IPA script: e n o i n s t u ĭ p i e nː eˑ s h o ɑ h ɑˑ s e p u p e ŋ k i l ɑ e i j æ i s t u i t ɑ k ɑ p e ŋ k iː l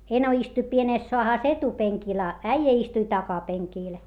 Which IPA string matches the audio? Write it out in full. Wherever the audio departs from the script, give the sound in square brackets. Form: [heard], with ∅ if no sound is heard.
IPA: e n o i [∅] s t u ĭ p i e [n] eˑ s [s] o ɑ h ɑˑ s e [t] u p e ŋ k i l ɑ [æ] i j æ i s t u i t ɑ k ɑ p e ŋ k iː l